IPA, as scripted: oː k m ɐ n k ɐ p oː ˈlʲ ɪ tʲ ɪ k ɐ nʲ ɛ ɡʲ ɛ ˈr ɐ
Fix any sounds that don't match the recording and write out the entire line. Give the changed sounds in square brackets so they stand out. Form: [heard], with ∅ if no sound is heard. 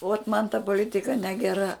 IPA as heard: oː [t] m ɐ n [t] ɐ p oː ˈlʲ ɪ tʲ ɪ k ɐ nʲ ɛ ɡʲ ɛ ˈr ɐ